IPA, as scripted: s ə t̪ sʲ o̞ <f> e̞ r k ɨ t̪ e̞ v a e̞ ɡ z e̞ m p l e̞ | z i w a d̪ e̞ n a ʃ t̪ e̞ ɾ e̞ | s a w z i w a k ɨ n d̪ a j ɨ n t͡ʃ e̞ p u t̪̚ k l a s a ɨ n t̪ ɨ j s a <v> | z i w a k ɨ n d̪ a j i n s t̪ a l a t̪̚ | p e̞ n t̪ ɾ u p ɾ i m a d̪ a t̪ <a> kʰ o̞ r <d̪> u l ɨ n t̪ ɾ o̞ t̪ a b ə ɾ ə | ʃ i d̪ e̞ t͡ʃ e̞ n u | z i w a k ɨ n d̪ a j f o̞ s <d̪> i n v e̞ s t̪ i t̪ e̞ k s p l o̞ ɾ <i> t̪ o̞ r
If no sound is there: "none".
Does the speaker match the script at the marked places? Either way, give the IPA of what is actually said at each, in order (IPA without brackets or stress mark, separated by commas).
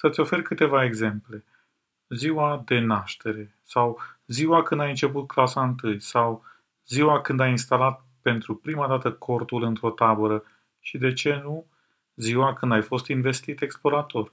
f, w, ə, t̪, t̪, a